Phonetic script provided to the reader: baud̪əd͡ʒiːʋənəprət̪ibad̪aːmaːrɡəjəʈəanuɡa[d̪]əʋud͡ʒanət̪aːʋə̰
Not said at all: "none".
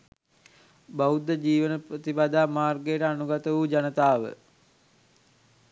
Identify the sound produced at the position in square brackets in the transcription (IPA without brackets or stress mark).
t̪